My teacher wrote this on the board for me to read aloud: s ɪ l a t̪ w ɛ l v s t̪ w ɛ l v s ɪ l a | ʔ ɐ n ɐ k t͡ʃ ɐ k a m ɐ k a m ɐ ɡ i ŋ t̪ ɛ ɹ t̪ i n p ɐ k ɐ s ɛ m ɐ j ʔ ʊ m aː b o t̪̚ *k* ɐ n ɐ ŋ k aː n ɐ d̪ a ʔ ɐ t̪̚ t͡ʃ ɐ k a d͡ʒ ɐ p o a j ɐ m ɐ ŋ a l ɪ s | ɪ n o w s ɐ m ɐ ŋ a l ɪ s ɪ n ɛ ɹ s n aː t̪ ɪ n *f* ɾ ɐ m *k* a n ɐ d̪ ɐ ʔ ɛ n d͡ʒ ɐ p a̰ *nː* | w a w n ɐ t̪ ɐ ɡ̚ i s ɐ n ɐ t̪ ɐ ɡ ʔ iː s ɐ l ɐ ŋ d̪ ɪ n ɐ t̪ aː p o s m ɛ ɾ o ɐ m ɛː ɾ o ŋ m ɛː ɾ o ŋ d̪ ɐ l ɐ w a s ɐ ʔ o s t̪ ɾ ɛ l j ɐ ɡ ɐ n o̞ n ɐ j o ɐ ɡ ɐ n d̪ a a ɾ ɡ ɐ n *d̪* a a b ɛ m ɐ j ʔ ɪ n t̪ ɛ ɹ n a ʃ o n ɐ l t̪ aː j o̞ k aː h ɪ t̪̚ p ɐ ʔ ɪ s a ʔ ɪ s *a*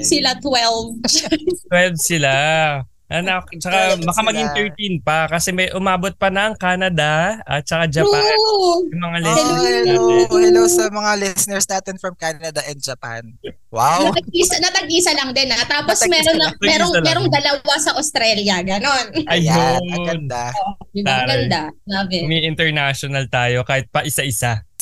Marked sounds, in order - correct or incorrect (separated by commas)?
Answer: incorrect, correct, correct, incorrect, correct, correct